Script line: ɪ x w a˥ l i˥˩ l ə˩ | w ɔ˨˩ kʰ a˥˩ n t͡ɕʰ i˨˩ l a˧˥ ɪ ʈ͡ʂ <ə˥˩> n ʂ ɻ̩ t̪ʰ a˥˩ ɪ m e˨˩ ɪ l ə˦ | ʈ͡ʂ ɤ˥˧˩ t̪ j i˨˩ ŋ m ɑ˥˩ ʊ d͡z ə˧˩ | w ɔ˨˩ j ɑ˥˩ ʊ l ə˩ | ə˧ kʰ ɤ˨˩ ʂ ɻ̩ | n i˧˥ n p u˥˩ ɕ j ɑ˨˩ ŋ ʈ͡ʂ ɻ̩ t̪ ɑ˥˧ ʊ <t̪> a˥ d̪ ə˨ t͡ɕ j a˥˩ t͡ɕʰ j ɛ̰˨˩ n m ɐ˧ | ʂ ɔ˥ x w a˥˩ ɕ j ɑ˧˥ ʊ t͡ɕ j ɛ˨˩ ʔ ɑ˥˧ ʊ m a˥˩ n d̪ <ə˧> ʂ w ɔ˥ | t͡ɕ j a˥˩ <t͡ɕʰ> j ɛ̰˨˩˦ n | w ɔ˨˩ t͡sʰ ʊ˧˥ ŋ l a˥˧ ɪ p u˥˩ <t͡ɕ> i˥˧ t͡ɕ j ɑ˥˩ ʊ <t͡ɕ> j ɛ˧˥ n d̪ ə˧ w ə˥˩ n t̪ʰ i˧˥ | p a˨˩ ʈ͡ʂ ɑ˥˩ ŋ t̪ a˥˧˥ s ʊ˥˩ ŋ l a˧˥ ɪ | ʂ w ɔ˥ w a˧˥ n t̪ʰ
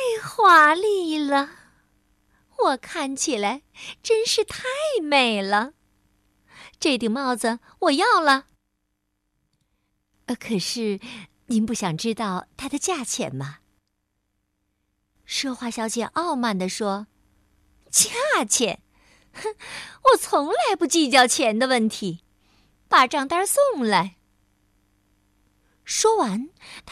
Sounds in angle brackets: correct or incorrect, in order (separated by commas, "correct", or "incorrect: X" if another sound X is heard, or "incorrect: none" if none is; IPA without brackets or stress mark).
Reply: incorrect: ə˥, incorrect: t̪ʰ, incorrect: ə˩, correct, correct, incorrect: t͡ɕʰ